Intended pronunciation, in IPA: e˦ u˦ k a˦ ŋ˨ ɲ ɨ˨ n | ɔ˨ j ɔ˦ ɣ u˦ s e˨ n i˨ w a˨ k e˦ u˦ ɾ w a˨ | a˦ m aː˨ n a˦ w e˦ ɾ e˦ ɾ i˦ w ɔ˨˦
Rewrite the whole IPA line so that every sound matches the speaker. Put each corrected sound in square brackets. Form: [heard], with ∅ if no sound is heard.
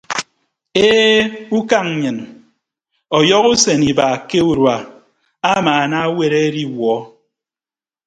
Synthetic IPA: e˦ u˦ k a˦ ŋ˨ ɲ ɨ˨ n | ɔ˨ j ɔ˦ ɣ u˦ s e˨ n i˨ [b] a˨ k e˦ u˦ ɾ w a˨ | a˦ m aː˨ n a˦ w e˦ ɾ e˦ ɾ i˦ w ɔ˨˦

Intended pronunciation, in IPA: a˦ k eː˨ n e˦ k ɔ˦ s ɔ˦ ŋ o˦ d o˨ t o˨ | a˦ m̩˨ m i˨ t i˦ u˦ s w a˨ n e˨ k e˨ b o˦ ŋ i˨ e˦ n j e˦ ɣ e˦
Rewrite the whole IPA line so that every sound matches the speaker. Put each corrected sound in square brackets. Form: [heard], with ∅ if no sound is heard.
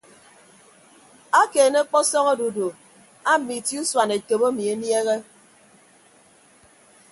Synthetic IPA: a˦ k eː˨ n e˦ [k͡p] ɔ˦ s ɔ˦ ŋ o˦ d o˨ [d] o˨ | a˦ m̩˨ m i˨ t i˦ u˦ s w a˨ n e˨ k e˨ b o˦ [m] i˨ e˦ n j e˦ ɣ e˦

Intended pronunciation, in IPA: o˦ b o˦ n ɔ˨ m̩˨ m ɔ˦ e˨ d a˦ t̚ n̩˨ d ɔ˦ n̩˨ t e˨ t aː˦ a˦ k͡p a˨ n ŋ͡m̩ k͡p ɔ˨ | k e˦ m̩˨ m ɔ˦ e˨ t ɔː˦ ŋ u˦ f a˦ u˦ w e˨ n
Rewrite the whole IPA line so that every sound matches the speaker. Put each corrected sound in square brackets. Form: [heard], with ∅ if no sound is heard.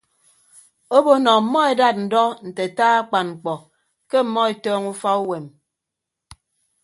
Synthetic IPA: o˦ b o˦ n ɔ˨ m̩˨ m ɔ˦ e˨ d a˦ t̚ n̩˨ d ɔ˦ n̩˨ t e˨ t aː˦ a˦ k͡p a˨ n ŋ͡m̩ k͡p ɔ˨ | k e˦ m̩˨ m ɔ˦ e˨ t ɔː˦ ŋ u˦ f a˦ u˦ w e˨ [m]

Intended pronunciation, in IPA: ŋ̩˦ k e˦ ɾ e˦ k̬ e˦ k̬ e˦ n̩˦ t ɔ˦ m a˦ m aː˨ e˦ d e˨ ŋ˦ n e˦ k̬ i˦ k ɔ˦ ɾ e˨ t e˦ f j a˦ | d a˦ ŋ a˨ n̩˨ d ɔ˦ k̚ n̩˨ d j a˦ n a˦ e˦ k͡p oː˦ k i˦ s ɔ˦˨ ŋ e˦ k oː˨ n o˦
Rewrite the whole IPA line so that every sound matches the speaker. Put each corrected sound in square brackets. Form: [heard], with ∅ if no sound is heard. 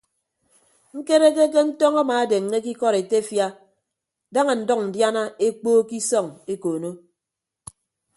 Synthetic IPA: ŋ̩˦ k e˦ ɾ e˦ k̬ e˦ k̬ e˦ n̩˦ t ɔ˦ [ŋ] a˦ m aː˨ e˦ d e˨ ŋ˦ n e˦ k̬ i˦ k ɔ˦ ɾ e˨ t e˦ f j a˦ | d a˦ ŋ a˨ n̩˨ d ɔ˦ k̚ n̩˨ d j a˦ n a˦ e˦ k͡p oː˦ k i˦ s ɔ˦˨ ŋ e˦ k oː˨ n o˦

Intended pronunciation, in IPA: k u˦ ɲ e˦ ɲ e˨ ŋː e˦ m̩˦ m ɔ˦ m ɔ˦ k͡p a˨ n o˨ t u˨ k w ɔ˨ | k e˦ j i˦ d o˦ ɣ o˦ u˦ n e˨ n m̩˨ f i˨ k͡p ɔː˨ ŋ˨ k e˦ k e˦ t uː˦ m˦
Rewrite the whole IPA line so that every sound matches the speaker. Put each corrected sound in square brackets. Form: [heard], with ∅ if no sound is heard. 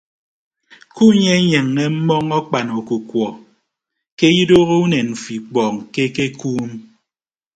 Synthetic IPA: k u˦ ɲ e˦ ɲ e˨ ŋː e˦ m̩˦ m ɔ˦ [ŋ] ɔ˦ k͡p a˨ n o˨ [k] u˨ k w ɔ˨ | k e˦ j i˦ d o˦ ɣ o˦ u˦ n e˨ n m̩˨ f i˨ k͡p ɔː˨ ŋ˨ k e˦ k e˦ [k] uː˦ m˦

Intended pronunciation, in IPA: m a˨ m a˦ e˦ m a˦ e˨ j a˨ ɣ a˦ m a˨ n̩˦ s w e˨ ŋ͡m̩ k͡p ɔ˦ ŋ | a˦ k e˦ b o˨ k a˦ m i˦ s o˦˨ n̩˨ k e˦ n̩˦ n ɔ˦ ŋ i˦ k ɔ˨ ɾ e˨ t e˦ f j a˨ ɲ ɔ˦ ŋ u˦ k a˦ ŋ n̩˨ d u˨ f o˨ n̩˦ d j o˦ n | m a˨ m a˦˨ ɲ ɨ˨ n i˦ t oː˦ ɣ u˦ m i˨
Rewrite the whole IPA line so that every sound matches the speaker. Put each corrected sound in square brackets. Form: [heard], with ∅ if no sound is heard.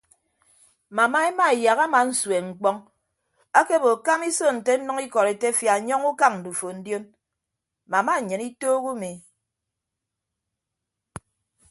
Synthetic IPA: m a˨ m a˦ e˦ m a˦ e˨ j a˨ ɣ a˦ m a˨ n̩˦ s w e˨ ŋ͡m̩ k͡p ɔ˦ ŋ | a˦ k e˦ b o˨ k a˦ m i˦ s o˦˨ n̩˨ [t] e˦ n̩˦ n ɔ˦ ŋ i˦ k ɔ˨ ɾ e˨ t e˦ f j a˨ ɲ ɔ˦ ŋ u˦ k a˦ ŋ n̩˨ d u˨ f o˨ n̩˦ d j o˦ n | m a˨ m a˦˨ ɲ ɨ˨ n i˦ t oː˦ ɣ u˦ m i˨

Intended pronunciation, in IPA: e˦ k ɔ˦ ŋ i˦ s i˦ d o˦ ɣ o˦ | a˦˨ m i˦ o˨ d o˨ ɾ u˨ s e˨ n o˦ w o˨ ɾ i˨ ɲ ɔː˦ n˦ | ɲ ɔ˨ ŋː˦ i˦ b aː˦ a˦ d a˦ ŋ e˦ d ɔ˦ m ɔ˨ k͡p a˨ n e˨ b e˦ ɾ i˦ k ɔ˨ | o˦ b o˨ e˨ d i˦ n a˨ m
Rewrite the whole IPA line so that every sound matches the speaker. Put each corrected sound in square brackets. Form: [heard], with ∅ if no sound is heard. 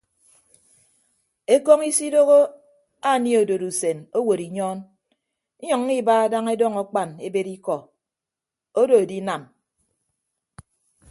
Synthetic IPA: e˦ k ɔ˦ ŋ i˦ s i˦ d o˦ ɣ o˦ | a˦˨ [n] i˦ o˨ d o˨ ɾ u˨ s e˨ n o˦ w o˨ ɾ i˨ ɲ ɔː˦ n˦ | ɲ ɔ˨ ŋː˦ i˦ b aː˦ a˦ d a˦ ŋ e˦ d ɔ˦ [ŋ] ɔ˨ k͡p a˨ n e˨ b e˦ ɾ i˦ k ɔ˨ | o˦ [d] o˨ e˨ d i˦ n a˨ m

